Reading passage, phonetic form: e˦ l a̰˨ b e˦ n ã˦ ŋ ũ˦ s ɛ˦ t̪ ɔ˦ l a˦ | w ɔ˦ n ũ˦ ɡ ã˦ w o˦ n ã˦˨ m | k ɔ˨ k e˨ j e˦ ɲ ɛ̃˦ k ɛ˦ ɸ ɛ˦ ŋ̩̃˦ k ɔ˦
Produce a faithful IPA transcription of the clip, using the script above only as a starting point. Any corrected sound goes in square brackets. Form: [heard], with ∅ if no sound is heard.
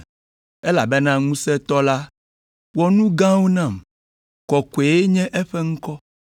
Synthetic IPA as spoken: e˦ l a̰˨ b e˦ n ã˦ ŋ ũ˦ s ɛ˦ t̪ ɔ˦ l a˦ | w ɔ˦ n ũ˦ ɡ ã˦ w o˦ n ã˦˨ m | k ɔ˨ k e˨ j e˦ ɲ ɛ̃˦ [ʔ] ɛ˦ ɸ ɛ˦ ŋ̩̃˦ k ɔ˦